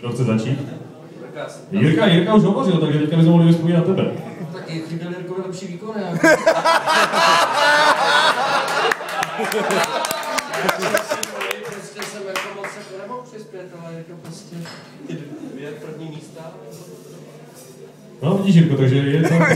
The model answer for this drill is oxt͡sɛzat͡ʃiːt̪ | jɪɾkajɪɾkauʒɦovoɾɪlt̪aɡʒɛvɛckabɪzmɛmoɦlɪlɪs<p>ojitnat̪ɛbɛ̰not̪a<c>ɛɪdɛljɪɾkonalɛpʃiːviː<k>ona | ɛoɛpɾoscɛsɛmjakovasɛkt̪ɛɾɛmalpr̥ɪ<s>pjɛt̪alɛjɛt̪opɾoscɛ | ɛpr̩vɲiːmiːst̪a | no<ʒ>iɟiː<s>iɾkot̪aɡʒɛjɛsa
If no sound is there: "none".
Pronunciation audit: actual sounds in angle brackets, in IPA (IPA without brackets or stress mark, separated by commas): p, k, k, s, v, ʃ